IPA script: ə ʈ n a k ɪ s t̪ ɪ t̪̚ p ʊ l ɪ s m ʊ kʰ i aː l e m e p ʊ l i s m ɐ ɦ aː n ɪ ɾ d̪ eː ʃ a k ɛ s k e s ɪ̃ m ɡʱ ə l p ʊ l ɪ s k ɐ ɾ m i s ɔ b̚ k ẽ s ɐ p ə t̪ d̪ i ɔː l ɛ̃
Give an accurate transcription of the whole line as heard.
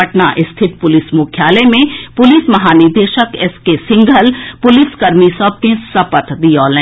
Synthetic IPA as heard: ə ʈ n a ʔ ɪ s t̪ʰ ɪ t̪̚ p ʊ l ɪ s m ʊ kʰ j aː l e m ẽ p ʊ l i s m ɐ ɦ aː n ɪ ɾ d̪ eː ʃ ə k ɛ s k e s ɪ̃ ŋ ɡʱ ə l p ʊ l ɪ s k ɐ ɾ m i s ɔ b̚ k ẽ s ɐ p ə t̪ d̪ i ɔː l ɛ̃

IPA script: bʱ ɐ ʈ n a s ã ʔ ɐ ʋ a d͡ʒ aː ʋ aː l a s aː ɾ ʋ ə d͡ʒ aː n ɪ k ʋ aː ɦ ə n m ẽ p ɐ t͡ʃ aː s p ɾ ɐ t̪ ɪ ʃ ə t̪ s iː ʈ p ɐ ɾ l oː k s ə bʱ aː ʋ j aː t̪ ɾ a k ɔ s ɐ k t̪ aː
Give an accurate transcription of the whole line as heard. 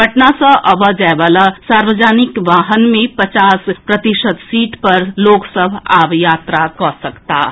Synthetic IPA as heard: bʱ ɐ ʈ n a s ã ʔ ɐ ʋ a d͡ʒ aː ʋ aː l a s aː ɾ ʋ ə d͡ʒ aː n ɪ k ʋ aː ɦ ə n m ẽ p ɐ t͡ʃ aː s p ɾ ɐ t̪ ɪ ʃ ə t̪ s iː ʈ p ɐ ɾ l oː k s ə bʱ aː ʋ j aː t̪ ɾ a k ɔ s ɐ k t̪ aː

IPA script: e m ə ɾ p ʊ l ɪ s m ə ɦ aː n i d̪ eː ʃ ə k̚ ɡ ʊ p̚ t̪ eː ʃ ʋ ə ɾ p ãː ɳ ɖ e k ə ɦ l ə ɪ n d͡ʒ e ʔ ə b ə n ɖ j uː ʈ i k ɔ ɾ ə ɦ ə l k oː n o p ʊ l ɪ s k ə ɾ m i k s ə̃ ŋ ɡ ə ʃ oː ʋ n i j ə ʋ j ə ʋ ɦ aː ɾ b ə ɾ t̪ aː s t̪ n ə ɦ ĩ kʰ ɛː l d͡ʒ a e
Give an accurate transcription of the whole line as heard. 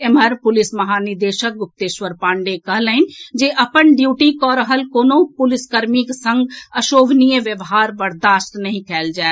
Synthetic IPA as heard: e m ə ɾ p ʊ l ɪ s m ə ɦ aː n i d̪ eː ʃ ə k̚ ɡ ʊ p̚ t̪ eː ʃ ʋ ə ɾ p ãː ɳ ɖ e k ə ɦ l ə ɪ n d͡ʒ e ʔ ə p ə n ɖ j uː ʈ i k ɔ ɾ ə ɦ ə l k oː n o p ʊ l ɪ s k ə ɾ m i k s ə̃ ŋ ɡ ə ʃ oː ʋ n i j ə ʋ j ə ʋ ɦ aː ɾ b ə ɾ d̪ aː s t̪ n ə ɦ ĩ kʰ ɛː l d͡ʒ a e

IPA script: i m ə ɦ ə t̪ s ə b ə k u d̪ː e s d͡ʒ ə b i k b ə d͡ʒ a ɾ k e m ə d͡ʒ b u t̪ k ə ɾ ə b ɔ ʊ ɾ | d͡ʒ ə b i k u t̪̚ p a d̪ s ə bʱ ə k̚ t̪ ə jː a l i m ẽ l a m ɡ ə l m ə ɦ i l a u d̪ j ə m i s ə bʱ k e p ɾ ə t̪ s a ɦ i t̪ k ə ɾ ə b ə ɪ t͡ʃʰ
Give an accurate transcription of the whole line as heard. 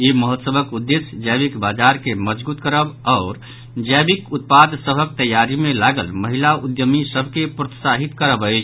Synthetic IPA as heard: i m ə ɦ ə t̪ s ə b ə k u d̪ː e s d͡ʒ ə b i k b a d͡ʒ a ɾ k e m ə d͡ʒ b u t̪ k ə ɾ ə b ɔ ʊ ɾ | d͡ʒ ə b i k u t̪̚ p a d̪ s ə bʱ ə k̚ t̪ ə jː a ɾ i m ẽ l a ɡ ə l m ə ɦ i l a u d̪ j ə m i s ə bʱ k e p ɾ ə t̪ s a ɦ i t̪ k ə ɾ ə b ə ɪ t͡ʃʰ

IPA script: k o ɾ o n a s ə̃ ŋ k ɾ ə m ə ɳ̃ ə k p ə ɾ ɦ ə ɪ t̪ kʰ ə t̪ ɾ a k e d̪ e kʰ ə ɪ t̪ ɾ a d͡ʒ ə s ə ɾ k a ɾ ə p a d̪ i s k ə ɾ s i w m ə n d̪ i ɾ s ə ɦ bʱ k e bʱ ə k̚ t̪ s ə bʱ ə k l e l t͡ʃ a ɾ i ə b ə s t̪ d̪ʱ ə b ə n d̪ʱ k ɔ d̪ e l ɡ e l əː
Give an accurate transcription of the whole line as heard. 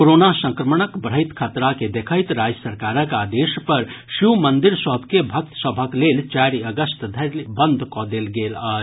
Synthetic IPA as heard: k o ɾ o n a s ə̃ ŋ k ɾ ə m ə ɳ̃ ə k b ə ɾ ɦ ə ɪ t̪ kʰ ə t̪ ɾ a k e d̪ e kʰ ə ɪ t̪ ɾ a d͡ʒ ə s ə ɾ k a ɾ ə k a d̪ e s p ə ɾ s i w m ə n d̪ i ɾ s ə ɦ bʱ k e bʱ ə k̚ t̪ s ə bʱ ə k l e l t͡ʃ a ɾ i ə ɡ ə s t̪ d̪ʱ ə b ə n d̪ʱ k ɔ d̪ e l ɡ e l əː

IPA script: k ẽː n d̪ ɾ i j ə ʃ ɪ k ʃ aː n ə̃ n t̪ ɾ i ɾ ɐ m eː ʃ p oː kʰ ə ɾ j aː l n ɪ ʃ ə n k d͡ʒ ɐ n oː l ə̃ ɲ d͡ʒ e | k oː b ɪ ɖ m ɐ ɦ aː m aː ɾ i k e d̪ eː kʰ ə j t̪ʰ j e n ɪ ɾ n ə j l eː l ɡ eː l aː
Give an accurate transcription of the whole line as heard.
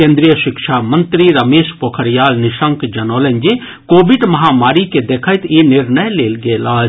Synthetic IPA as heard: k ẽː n d̪ ɾ i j ə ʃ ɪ k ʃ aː m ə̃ n t̪ ɾ i ɾ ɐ m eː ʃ p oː kʰ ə ɾ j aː l n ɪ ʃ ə ŋ k d͡ʒ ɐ n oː l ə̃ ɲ d͡ʒ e | k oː b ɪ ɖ m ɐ ɦ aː m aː ɾ i k e d̪ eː kʰ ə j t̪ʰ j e n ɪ ɾ n ə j l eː l ɡ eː l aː

